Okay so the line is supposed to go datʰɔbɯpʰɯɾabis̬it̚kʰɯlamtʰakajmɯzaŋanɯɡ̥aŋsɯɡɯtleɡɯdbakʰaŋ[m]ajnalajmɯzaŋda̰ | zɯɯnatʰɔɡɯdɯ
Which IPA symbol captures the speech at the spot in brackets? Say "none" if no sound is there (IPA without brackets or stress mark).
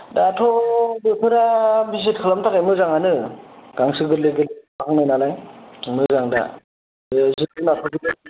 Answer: n